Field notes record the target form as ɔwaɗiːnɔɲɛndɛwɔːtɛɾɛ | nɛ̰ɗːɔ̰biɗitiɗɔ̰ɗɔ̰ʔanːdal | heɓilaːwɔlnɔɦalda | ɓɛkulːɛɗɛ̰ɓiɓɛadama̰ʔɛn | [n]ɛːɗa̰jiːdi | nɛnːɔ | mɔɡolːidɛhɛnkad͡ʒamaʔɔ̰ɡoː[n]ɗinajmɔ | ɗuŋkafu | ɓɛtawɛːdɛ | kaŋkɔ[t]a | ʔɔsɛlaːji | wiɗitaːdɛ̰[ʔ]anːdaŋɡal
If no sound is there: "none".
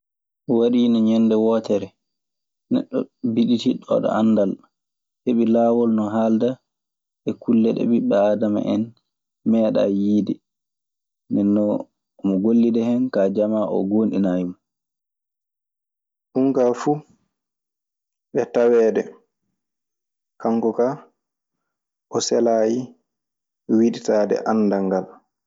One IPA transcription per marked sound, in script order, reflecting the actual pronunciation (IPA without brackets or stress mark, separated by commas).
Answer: m, n, k, ʔ